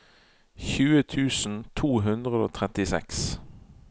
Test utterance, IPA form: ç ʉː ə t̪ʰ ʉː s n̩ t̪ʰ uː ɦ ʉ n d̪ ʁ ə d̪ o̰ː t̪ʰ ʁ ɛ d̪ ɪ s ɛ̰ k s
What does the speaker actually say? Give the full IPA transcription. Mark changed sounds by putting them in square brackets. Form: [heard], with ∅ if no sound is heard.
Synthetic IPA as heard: ç ʉː ə t̪ʰ ʉː s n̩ t̪ʰ uː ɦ ʉ n d̪ ʁ ə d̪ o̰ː t̪ʰ ʁ ɛ [t̪] ɪ s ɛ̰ k s